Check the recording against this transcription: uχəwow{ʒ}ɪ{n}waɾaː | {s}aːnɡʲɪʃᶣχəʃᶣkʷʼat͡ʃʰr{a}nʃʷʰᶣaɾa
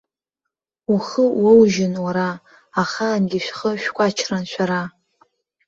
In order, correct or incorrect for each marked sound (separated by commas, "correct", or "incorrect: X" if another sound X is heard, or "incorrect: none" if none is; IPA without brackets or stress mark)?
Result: correct, correct, incorrect: χ, correct